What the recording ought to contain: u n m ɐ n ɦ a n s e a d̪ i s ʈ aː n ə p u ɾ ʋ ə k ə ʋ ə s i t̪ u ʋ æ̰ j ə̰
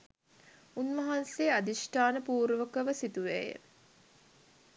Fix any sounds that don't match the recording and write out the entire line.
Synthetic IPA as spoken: u n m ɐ ɦ a n s e a d̪ i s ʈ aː n ə p uː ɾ ʋ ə k ə ʋ ə s i t̪ u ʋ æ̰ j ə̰